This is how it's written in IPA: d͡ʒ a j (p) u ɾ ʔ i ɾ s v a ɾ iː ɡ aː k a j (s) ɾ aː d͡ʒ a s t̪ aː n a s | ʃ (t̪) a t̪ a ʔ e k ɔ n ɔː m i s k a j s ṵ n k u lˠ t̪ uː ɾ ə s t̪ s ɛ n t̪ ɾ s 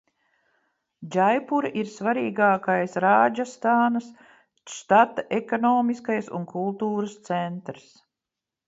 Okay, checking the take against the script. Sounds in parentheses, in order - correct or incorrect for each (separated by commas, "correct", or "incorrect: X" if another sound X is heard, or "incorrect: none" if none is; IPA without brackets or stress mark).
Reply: correct, correct, correct